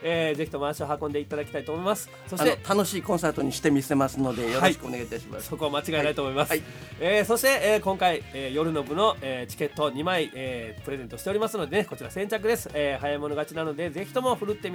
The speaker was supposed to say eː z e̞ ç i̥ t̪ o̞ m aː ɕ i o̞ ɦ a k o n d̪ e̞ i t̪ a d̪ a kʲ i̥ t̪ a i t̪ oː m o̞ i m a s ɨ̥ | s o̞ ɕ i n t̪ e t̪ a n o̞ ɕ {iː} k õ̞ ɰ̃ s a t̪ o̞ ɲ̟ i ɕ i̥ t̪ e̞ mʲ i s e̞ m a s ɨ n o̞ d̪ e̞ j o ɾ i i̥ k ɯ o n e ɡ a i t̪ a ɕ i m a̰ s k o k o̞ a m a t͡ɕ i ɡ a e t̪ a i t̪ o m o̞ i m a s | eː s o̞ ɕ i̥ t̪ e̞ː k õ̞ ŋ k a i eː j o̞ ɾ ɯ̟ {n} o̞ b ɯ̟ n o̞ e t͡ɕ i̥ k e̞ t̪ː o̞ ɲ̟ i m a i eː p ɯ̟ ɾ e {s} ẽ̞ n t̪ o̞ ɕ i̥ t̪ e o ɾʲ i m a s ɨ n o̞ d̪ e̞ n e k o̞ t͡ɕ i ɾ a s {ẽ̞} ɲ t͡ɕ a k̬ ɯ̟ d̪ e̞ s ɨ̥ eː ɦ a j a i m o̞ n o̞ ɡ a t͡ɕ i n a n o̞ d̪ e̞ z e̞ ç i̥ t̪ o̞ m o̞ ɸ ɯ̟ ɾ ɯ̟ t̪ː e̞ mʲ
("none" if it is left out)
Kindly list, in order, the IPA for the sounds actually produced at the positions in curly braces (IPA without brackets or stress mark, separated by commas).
iː, n, z, ẽ̞